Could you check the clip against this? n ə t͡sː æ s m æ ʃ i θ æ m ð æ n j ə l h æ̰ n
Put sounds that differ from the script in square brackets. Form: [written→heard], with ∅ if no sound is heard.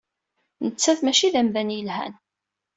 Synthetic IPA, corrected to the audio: n ə t͡sː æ [s→θ] m æ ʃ i [θ→ð] æ m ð æ n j ə l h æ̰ n